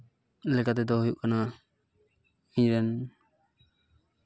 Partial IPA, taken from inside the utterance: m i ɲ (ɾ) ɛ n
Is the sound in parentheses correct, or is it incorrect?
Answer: correct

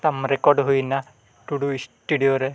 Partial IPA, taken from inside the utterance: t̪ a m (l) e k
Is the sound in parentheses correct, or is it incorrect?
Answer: incorrect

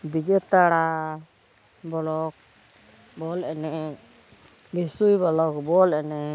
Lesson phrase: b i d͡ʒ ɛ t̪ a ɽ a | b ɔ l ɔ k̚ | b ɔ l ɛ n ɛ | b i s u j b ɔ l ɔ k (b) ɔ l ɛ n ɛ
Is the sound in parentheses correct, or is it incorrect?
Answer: correct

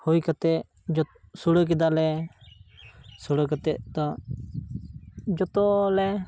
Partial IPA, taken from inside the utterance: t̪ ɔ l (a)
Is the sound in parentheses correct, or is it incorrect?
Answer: incorrect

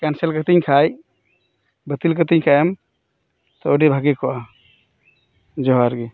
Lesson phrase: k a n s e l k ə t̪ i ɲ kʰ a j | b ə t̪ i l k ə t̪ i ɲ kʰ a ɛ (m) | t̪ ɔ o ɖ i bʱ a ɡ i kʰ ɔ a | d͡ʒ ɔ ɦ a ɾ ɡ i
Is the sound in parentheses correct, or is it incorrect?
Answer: correct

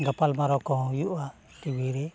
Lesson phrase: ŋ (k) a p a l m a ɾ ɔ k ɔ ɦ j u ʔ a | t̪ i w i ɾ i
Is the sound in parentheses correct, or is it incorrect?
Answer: incorrect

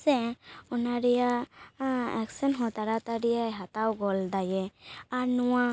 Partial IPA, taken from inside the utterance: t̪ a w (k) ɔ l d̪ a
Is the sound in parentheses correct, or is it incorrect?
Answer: incorrect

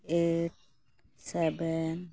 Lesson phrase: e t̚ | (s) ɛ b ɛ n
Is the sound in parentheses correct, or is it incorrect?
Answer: correct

